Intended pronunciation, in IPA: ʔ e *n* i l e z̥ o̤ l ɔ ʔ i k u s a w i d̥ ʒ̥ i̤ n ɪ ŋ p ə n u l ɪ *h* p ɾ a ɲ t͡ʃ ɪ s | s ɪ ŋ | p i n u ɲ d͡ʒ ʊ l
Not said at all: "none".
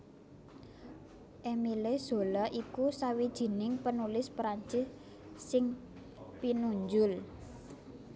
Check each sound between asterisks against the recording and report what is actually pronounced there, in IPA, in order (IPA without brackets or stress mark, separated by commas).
m, s